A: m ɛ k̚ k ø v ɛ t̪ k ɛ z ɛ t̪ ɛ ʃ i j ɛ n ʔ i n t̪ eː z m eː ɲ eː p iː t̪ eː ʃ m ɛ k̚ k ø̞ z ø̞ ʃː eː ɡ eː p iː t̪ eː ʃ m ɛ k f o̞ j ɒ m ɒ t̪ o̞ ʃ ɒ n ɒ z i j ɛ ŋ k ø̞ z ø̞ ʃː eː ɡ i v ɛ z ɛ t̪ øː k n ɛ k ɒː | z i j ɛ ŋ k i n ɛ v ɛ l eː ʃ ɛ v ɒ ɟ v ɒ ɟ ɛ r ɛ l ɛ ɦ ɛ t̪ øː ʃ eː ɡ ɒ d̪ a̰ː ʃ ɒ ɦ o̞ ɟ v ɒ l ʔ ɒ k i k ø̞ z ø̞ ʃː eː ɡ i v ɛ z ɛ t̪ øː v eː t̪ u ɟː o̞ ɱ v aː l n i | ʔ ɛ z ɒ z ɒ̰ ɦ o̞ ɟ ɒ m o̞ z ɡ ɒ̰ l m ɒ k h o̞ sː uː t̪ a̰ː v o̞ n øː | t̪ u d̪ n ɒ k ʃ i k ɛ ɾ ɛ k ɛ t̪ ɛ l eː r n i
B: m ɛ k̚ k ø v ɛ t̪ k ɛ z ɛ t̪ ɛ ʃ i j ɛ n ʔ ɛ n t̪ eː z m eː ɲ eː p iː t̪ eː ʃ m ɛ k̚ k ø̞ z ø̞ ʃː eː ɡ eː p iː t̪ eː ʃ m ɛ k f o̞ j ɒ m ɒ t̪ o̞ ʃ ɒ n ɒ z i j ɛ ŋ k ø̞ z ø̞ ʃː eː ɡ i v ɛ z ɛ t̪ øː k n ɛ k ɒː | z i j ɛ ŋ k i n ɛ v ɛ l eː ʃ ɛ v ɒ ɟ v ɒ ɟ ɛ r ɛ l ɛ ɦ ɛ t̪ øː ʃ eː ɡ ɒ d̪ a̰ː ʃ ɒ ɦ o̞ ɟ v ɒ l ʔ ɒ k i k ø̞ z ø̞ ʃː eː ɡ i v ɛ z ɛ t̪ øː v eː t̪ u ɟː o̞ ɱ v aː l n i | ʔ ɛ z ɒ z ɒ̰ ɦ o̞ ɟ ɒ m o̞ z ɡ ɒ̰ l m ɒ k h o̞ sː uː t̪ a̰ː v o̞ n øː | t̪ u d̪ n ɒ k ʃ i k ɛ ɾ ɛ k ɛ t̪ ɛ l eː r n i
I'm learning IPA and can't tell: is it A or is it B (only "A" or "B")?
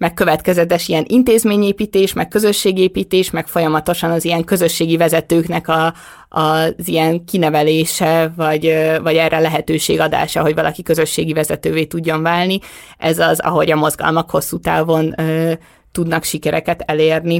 A